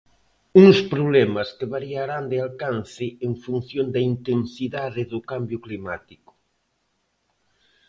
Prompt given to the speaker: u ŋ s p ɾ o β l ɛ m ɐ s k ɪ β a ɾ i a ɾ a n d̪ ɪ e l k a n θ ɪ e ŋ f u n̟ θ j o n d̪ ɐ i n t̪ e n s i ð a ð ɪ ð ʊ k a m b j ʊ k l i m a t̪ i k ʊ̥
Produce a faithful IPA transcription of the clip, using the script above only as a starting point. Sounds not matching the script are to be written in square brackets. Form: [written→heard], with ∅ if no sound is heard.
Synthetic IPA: u ŋ s p ɾ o β l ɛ m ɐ s k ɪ β a ɾ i a ɾ a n d̪ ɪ [e→a] l k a n θ ɪ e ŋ f u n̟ θ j o n d̪ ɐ i n t̪ e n s i ð a ð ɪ ð ʊ k a m b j ʊ k l i m a t̪ i k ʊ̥

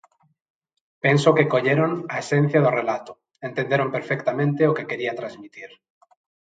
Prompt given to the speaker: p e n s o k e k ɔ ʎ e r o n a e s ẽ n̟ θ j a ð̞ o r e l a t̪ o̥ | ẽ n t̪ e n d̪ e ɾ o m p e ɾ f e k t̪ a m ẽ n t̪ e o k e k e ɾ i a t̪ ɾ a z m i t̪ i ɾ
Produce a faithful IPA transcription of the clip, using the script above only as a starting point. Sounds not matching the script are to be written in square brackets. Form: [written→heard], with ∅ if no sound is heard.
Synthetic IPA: p e n s o k e k [ɔ→o] ʎ e [r→ɾ] o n a e s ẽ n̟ θ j a ð̞ o r e l a t̪ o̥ | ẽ n t̪ e n d̪ e ɾ o m p e ɾ f e k t̪ a m ẽ n t̪ e o k e k e ɾ i a t̪ ɾ a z m i t̪ i ɾ

